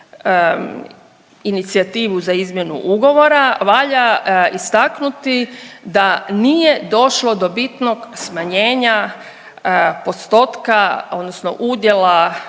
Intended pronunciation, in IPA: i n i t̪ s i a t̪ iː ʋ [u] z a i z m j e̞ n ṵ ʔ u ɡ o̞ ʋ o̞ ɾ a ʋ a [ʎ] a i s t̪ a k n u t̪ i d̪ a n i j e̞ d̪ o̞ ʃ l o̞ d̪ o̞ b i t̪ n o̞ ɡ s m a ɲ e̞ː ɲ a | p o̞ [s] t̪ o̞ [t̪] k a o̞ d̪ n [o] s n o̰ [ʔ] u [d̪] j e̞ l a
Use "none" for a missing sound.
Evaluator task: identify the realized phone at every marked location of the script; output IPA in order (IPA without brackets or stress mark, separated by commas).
u, ʎ, s, t̪, o, ʔ, d̪